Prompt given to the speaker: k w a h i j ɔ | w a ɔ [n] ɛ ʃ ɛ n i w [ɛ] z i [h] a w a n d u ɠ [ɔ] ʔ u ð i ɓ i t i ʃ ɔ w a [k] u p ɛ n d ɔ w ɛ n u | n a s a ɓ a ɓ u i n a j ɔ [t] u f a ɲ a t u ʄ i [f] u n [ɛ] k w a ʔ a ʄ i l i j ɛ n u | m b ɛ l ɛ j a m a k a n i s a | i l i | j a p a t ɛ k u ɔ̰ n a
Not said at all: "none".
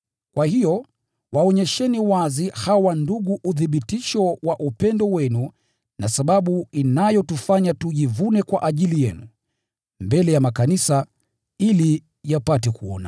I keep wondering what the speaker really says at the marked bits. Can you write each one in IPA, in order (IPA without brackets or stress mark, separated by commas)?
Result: ɲ, a, h, u, ʔ, t, v, ɛ